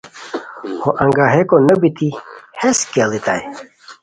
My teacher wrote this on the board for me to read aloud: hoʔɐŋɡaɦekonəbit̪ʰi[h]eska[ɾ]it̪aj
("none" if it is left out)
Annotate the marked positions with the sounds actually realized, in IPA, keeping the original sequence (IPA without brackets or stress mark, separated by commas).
h, l